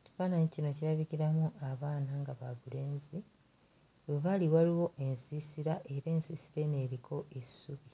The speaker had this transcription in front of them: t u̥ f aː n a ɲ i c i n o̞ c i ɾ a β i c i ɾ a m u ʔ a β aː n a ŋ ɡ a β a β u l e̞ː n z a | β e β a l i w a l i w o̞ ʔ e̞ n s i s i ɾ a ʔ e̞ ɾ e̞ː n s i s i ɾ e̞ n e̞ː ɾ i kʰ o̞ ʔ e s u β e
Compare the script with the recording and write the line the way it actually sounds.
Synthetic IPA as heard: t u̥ f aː n a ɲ i c i n o̞ c i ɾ a β i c i ɾ a m u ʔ a β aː n a ŋ ɡ a β a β u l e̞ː n z i | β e β a l i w a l i w o̞ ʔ e̞ n s i s i ɾ a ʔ e̞ ɾ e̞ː n s i s i ɾ e̞ n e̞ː ɾ i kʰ o̞ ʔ e s u β i